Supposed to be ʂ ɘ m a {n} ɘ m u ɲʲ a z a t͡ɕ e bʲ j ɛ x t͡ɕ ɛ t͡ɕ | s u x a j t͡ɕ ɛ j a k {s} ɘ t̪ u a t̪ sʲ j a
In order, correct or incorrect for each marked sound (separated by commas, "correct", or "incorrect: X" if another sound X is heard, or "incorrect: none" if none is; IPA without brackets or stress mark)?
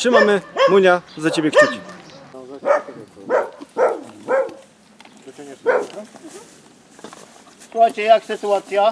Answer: incorrect: m, correct